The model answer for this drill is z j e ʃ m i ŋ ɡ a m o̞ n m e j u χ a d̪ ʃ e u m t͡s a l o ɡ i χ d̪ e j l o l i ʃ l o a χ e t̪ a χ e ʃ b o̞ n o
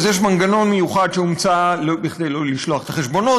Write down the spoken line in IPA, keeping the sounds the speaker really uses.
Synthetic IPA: z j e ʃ m a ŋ ɡ a n o̞ n m e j u χ a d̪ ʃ e u m t͡s a l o b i χ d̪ e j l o l i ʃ l o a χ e t̪ a χ e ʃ b o̞ n o